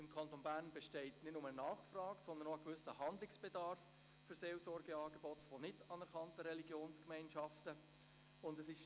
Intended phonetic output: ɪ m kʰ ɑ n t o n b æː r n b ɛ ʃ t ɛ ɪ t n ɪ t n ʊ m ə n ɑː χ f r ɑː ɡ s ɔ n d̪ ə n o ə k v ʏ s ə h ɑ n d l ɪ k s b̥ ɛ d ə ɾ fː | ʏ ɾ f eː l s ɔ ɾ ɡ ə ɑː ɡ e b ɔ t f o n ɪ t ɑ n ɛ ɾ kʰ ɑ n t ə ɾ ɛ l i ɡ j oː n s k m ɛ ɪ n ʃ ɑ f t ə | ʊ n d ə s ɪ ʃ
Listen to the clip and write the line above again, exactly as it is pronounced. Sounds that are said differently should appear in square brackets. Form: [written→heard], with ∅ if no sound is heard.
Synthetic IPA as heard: ɪ m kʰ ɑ n t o n b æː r n b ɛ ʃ t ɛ ɪ t n ɪ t n ʊ m ə n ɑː χ f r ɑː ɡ s ɔ n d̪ ə n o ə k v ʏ s ə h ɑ n d l ɪ k s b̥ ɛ d [ə→ɑ] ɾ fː | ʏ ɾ [f→s] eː l s ɔ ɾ ɡ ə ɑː ɡ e b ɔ t f o n ɪ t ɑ n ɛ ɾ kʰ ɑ n t ə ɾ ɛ l i ɡ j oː n s k m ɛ ɪ n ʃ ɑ f t ə | ʊ n d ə s ɪ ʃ

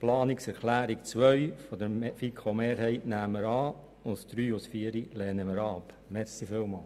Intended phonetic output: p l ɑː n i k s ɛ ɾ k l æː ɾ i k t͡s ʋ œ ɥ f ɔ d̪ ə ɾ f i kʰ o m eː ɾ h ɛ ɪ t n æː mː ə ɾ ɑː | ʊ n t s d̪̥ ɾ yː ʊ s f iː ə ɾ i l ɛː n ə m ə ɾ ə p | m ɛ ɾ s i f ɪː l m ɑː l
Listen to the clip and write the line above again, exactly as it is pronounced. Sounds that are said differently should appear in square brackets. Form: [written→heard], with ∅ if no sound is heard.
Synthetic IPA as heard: p l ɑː n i k s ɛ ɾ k l æː ɾ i k t͡s ʋ œ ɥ f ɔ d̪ ə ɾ f i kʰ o m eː ɾ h ɛ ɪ t n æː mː ə ɾ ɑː | ʊ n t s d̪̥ ɾ yː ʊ s f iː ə ɾ i l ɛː n ə m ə ɾ [ə→ɑ] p | m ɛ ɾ s i f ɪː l m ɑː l

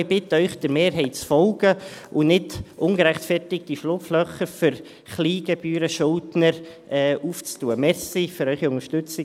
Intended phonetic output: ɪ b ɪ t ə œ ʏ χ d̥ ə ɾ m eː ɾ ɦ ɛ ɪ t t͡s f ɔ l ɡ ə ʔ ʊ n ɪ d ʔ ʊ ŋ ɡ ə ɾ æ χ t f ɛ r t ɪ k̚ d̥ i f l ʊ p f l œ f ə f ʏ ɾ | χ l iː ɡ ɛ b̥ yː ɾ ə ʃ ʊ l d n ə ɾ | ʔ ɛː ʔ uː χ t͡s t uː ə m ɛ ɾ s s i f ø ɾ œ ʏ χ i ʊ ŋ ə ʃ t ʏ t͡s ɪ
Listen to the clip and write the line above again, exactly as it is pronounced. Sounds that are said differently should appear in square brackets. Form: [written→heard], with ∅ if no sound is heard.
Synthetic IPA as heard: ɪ b ɪ t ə œ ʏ χ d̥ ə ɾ m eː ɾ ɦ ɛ ɪ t t͡s f ɔ l ɡ ə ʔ ʊ n ɪ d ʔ ʊ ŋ ɡ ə ɾ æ χ t f ɛ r t ɪ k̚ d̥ i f l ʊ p f l œ [f→χ] ə f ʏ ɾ | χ l iː ɡ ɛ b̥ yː ɾ ə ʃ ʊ l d n ə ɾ | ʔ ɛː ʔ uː [χ→f] t͡s t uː ə m ɛ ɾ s s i f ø ɾ œ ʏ χ i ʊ ŋ ə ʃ t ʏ t͡s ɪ

